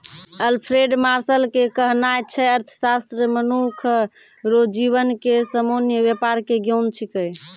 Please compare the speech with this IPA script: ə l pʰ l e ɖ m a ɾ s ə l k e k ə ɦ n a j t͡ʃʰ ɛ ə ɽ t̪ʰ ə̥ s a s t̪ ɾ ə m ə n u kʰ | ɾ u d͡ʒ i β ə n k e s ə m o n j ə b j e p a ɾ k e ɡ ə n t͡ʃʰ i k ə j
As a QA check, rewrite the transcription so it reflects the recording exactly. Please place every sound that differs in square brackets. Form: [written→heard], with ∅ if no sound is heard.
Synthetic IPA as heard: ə l pʰ [l→ɾ] e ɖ m a ɾ s ə l k e k ə ɦ n a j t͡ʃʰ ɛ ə [ɽ→ɾ] t̪ʰ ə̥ s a s t̪ ɾ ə m ə n u kʰ | ɾ [u→o] d͡ʒ i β ə n k e s ə m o n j ə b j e p a ɾ k e ɡ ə n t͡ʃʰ i k ə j